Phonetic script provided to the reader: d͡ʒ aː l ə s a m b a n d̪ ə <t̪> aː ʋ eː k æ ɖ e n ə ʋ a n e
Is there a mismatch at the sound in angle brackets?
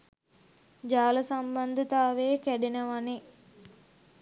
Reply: no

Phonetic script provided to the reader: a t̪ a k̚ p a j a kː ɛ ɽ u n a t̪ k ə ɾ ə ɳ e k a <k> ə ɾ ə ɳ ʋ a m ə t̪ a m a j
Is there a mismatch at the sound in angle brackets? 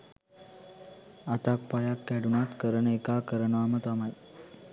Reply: no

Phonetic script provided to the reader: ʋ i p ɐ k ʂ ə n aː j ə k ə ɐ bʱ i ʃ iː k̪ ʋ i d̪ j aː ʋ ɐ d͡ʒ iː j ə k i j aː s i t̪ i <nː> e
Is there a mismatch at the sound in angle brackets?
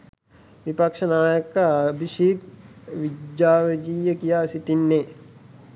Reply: no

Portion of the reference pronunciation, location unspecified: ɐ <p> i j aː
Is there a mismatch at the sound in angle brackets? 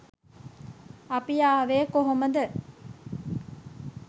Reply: no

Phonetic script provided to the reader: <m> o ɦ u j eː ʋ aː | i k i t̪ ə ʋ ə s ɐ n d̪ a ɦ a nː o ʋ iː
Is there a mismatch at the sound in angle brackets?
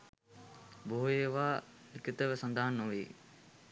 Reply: yes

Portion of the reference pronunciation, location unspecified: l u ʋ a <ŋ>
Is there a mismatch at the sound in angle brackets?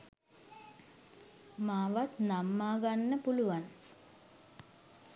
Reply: yes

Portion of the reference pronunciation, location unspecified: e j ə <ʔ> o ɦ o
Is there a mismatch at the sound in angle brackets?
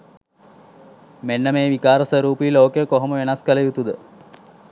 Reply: yes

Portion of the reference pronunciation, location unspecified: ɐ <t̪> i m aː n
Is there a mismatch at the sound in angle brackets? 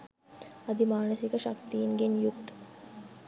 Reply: yes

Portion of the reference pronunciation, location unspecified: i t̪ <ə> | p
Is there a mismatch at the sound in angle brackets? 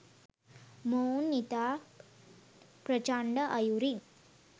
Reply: yes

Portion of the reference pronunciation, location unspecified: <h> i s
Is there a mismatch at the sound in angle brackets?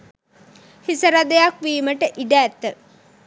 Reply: no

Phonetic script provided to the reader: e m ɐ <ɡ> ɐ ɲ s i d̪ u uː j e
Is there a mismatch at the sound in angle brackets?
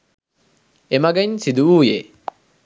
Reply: no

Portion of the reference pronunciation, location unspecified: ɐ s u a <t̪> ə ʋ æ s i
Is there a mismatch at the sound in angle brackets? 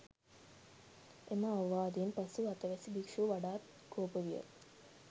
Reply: no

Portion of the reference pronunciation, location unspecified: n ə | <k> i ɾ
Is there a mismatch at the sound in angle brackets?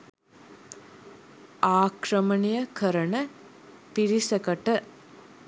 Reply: yes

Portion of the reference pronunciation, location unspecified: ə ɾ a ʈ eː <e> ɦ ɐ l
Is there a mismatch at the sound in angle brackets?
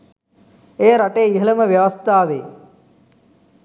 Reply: yes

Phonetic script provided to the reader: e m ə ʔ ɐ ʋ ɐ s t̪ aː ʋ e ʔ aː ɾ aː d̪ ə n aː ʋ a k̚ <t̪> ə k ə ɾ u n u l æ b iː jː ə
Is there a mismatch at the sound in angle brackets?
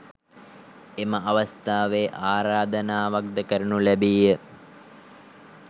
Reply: yes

